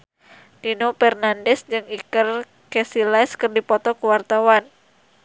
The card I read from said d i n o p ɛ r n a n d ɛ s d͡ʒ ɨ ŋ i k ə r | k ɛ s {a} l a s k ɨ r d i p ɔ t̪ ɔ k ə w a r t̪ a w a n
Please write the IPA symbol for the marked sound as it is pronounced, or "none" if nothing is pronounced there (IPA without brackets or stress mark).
i